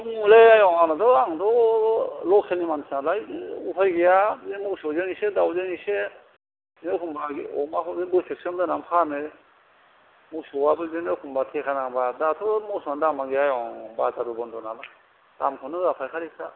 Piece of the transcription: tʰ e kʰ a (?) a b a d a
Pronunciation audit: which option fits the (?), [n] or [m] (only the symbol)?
n